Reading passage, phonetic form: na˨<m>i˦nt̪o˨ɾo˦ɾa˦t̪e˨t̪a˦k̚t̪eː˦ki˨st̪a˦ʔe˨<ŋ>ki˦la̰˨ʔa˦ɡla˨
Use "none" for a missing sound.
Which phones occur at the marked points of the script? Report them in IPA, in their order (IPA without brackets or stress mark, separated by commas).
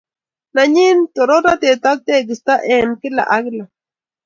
ɲ, m